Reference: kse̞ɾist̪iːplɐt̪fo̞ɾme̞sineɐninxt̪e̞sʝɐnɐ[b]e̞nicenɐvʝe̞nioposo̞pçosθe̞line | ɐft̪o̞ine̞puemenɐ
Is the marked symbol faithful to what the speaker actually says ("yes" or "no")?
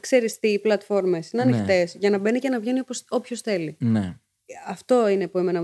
yes